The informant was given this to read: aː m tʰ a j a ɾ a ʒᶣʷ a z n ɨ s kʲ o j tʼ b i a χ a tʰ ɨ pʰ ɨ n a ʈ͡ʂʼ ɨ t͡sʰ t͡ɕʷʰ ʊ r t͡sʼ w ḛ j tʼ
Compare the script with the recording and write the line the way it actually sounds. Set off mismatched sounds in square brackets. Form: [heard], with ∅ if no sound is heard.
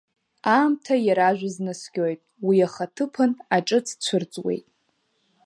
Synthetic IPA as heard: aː m tʰ a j a ɾ a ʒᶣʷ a z n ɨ s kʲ o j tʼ [w] i a χ a tʰ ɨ pʰ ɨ n a ʈ͡ʂʼ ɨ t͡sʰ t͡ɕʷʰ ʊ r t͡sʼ w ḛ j tʼ